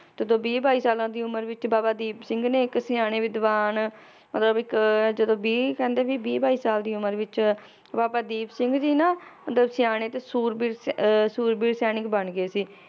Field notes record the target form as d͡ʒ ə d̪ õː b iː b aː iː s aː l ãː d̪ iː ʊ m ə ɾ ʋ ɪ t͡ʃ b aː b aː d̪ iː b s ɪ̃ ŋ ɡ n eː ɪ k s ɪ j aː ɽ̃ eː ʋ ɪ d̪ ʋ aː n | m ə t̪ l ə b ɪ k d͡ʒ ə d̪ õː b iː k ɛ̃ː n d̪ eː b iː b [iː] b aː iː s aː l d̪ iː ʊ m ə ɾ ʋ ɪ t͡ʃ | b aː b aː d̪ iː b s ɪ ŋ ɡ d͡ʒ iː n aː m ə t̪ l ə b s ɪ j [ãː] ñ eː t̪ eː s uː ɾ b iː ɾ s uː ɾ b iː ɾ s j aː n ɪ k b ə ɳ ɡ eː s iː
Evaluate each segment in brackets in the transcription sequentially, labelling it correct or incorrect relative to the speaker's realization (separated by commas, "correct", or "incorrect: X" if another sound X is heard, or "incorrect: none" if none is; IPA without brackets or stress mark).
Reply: correct, incorrect: aː